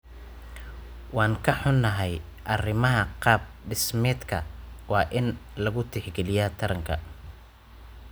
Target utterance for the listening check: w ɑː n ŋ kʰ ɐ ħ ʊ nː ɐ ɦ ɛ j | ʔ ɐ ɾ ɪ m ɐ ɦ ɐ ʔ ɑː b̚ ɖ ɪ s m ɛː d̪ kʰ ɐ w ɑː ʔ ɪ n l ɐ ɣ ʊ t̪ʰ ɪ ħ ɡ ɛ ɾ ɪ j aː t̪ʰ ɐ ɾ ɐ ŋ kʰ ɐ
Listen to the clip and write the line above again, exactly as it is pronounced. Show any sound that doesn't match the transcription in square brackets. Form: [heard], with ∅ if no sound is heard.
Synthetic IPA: w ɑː [∅] ŋ kʰ ɐ ħ ʊ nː ɐ ɦ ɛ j | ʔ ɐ [r] ɪ m ɐ ɦ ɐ [q] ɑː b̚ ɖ ɪ s m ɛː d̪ kʰ ɐ w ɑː ʔ ɪ n l ɐ ɣ ʊ t̪ʰ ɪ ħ ɡ ɛ [l] ɪ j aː t̪ʰ ɐ ɾ ɐ ŋ kʰ ɐ